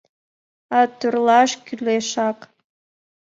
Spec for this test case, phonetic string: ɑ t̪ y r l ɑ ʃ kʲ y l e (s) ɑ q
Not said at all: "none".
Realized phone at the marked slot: ʃ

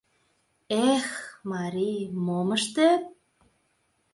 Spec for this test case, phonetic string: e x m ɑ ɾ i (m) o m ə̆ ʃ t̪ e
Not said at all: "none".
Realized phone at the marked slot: m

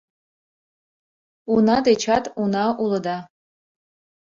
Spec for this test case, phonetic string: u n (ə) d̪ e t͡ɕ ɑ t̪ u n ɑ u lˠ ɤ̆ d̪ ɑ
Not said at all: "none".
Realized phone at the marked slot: ɑ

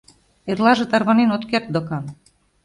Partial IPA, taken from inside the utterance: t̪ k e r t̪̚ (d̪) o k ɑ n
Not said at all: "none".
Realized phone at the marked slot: d̪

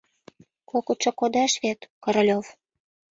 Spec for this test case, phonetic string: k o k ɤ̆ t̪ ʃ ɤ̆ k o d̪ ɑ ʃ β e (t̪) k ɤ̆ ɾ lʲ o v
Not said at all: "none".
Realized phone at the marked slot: t̪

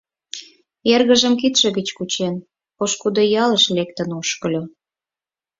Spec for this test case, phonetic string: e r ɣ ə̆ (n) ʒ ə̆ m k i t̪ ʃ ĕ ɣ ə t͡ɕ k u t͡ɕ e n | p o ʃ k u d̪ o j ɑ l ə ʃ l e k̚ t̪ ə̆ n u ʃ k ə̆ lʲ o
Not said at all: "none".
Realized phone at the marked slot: none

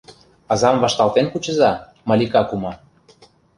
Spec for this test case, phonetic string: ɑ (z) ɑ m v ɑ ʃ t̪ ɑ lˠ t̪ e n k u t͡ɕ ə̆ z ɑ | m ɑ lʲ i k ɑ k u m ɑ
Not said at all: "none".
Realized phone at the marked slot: z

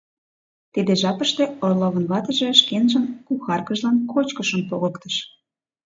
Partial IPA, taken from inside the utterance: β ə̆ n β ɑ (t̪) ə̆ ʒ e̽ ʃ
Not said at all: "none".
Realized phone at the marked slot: t̪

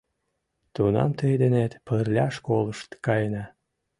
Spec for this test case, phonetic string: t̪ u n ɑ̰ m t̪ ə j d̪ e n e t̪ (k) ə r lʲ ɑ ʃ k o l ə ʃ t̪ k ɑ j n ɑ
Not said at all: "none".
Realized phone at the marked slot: p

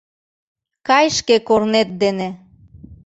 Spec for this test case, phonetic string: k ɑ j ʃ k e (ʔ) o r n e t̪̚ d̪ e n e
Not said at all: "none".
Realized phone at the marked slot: k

